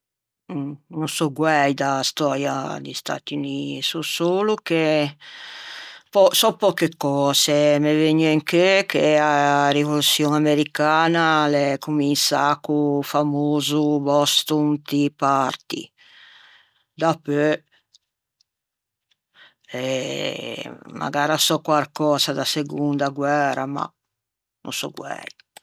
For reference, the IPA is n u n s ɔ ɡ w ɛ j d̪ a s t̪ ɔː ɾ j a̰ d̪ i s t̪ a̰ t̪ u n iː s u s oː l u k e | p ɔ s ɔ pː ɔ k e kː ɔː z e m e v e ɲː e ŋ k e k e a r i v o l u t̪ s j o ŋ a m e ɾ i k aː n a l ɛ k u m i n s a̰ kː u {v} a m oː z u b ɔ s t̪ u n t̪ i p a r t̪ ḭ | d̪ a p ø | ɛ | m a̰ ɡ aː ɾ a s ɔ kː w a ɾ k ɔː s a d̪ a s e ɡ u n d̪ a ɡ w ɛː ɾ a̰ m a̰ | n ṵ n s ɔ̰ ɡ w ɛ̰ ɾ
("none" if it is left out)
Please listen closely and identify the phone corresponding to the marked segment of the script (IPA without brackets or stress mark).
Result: f